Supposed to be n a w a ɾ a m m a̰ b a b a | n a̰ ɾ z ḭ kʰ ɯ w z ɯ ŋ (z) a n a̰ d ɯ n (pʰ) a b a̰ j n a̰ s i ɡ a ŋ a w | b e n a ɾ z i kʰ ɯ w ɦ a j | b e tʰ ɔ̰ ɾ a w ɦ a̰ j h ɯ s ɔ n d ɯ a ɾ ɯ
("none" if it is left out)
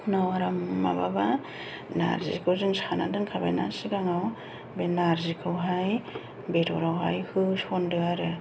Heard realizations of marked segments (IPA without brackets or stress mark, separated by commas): s, kʰ